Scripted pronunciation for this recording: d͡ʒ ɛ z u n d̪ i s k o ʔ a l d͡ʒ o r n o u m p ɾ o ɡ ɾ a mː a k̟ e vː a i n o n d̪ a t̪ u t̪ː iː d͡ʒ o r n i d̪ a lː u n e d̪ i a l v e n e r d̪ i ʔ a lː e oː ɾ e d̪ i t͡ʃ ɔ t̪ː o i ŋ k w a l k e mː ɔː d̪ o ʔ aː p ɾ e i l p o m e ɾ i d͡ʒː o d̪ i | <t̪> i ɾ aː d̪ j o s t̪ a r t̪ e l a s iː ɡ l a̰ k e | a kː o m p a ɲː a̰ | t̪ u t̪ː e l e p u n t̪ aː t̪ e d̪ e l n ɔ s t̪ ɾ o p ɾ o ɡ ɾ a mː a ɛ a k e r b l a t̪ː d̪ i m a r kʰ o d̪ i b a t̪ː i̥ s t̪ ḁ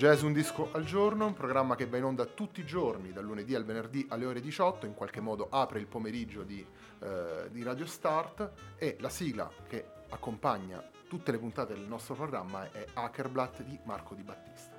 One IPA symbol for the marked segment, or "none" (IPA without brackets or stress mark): d̪